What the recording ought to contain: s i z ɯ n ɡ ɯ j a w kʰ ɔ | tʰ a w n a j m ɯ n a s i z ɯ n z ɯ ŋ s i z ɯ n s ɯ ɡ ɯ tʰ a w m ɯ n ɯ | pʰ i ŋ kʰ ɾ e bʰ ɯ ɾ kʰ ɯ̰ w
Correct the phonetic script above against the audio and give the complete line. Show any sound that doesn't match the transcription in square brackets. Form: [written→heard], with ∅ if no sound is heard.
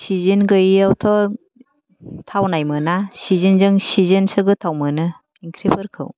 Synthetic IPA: s i z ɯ n ɡ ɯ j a w [kʰ→tʰ] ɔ | tʰ a w n a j m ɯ n a s i z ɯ n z ɯ ŋ s i z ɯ n s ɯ ɡ ɯ tʰ a w m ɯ n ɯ | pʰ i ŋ kʰ ɾ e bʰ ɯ ɾ kʰ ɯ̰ w